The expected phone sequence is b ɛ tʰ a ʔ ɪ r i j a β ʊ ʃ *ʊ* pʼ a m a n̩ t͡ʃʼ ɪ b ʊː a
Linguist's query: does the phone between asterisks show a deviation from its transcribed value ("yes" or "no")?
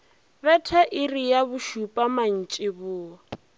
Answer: yes